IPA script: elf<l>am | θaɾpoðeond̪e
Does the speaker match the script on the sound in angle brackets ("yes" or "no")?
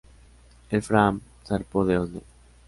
no